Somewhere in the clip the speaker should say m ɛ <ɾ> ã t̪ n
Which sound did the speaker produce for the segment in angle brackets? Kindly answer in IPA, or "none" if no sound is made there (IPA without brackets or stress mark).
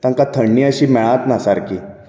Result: ɭ